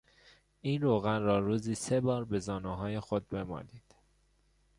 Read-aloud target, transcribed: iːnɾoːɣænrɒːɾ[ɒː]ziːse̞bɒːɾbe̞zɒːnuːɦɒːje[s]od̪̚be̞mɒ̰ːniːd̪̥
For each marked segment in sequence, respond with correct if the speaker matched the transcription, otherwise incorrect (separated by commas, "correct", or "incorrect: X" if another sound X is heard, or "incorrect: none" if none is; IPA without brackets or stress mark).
incorrect: uː, incorrect: x